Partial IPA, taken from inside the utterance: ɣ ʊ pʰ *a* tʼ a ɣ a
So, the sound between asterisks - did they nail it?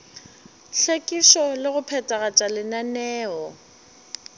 no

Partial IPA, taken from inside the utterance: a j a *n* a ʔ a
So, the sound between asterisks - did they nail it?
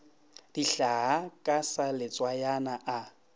yes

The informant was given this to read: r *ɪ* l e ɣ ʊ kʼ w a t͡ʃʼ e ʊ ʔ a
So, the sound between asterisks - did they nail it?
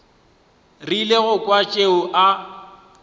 no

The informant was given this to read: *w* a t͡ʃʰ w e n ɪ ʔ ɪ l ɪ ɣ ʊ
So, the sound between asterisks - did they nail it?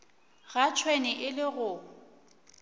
no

